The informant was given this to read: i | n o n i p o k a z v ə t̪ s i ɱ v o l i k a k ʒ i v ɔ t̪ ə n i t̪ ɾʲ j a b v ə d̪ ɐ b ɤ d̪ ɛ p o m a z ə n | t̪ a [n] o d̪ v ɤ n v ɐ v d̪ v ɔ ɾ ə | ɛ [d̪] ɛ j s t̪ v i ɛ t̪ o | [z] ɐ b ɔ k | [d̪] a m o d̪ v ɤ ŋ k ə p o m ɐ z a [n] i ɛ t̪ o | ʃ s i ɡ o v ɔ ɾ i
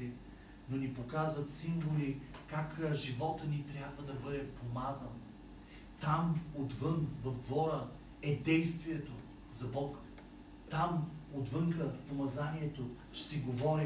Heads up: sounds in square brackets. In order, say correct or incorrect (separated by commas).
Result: incorrect, correct, correct, incorrect, correct